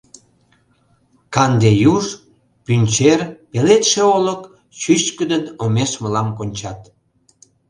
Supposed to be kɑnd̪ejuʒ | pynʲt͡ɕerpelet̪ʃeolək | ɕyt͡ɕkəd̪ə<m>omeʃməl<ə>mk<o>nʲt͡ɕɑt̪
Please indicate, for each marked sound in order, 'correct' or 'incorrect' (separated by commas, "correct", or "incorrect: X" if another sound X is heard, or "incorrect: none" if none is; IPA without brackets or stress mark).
incorrect: n, incorrect: ɑ, correct